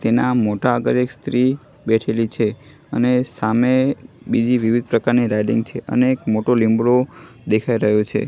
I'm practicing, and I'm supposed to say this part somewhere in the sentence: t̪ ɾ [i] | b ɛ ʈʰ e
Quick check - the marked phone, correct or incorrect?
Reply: correct